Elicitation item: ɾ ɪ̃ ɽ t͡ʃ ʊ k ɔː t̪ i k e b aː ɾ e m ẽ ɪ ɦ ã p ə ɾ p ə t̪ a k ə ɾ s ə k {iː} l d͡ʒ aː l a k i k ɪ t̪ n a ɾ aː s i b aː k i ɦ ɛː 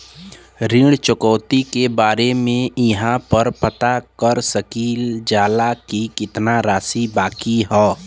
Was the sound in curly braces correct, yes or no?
yes